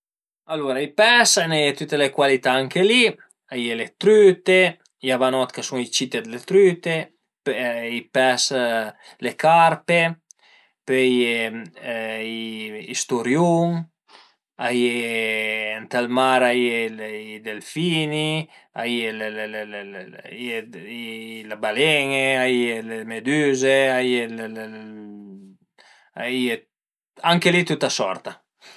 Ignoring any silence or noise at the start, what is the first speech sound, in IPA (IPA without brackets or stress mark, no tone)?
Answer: a